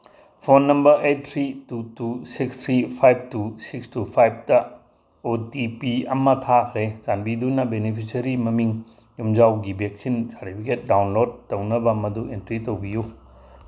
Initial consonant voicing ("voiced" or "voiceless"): voiceless